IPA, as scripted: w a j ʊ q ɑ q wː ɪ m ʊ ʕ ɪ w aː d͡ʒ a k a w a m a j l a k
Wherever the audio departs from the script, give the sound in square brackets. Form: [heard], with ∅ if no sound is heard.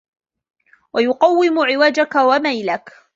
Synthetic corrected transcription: w a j ʊ q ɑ [∅] wː ɪ m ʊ ʕ ɪ w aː d͡ʒ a k a w a m a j l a k